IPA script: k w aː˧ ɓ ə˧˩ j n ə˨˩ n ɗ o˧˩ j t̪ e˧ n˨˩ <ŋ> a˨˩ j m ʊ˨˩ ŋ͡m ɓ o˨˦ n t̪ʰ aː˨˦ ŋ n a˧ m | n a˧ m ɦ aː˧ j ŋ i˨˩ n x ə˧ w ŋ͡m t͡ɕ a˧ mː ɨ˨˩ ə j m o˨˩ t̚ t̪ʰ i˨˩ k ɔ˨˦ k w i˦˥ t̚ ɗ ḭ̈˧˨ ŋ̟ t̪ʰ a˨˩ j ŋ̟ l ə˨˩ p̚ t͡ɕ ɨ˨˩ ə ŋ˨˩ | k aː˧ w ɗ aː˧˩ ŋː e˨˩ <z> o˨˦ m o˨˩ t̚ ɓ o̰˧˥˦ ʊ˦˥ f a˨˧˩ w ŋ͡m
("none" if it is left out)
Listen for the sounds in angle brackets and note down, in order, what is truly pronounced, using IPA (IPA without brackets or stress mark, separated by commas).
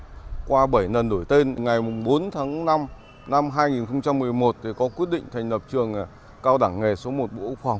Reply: ŋ, s